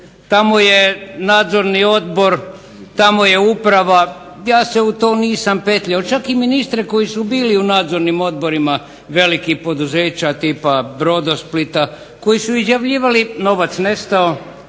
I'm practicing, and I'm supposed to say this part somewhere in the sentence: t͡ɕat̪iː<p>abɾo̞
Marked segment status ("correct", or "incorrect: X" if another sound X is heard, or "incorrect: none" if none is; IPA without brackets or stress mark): correct